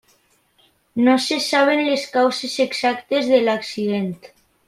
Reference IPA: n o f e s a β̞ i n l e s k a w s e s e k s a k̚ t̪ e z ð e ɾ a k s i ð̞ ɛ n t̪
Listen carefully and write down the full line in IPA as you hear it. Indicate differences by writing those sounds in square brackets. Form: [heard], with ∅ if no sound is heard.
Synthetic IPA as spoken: n o [s] e s a β̞ [e] n l e s k a w s e s e k s a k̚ t̪ e z ð e [l] a k s i ð̞ [e] n t̪